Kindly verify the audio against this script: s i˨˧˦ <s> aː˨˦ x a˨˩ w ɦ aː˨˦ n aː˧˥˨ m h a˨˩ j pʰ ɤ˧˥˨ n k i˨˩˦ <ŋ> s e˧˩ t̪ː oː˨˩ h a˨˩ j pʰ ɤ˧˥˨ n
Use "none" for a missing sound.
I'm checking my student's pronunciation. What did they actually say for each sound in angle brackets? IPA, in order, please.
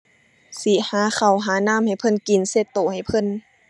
h, n

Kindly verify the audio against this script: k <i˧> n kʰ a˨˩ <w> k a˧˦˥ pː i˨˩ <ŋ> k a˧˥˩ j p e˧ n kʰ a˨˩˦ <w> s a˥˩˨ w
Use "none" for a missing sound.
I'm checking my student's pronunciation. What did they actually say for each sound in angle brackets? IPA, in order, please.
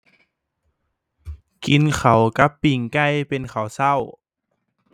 i˧, w, ŋ, w

